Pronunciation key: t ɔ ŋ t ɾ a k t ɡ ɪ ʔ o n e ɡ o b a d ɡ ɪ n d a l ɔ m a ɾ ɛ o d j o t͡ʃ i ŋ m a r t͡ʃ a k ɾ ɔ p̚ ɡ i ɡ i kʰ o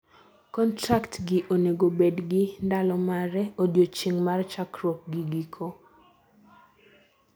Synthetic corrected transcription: k ɔ n t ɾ a k t ɡ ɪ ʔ o n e ɡ o b e d ɡ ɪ n d a l ɔ m a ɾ ɛ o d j o t͡ʃ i ŋ m a r t͡ʃ a k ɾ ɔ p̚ ɡ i ɡ i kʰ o